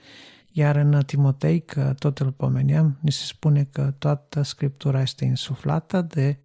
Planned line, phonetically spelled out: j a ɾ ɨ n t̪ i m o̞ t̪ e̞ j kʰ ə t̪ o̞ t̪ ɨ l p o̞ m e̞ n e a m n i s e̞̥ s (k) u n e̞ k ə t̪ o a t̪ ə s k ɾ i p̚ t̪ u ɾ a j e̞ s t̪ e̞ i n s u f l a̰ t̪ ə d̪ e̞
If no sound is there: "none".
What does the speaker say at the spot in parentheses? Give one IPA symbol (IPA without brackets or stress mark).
p